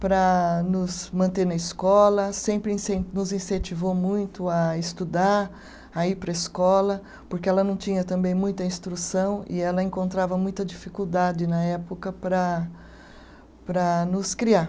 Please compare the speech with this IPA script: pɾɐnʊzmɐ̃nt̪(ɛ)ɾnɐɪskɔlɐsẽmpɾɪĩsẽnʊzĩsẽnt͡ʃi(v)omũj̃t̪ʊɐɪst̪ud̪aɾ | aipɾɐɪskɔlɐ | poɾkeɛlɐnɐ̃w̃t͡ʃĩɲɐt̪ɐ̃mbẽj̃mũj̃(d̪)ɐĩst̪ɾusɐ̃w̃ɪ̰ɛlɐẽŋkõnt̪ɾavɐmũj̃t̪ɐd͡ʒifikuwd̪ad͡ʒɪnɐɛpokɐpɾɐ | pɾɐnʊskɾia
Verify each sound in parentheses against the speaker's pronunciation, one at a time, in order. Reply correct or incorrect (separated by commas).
incorrect, correct, incorrect